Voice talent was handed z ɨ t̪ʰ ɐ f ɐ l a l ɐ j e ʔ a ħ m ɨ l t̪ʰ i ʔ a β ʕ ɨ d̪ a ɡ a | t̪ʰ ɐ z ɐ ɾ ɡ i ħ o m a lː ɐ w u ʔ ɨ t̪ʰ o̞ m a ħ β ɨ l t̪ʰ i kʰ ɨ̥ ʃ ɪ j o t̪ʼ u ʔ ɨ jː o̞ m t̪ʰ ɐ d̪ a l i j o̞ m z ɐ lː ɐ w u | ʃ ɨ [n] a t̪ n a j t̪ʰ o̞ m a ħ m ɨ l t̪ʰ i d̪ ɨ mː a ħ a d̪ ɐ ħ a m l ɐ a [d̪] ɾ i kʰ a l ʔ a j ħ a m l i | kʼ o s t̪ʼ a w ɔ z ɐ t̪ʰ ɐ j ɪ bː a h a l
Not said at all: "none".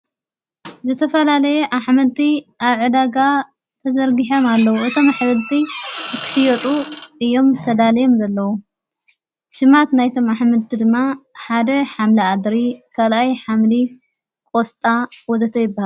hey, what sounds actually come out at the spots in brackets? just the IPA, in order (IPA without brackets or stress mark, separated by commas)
m, d̪